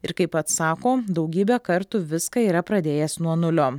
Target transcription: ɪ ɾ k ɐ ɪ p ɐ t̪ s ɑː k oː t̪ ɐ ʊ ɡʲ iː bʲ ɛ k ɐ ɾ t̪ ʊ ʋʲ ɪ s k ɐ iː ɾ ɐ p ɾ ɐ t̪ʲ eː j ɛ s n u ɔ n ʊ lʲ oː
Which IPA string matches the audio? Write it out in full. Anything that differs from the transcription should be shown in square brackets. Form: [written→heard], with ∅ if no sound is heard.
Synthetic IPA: ɪ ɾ k ɐ ɪ p ɐ t̪ s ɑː k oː [t̪→d̪] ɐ ʊ ɡʲ iː bʲ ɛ k ɐ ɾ t̪ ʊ ʋʲ ɪ s k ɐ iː ɾ ɐ p ɾ ɐ [t̪ʲ→d̪ʲ] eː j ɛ s n u ɔ n ʊ lʲ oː